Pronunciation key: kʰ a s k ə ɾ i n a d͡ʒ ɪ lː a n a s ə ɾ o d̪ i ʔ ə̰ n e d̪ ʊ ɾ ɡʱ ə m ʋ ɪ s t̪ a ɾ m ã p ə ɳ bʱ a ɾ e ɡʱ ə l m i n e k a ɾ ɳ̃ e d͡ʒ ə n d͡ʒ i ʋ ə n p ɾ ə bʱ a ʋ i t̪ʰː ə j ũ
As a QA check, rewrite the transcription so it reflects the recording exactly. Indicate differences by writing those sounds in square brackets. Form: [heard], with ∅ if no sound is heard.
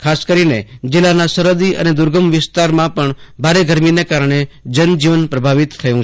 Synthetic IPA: kʰ a s k ə ɾ i n [e] d͡ʒ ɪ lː a n a s ə ɾ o d̪ i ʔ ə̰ n e d̪ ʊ ɾ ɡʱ ə m ʋ ɪ s t̪ a ɾ m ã p ə ɳ bʱ a ɾ e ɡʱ ə [ɾ] m i n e k a ɾ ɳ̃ e d͡ʒ ə n d͡ʒ i ʋ ə n p ɾ ə bʱ a ʋ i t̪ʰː ə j ũ